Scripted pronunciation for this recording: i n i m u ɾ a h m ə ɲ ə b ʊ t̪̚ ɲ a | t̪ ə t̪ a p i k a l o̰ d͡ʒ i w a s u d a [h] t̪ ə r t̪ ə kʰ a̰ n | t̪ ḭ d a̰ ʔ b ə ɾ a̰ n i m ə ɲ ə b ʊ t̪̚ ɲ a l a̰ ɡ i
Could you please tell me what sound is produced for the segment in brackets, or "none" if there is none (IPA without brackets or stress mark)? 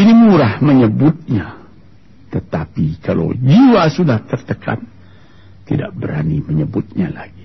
h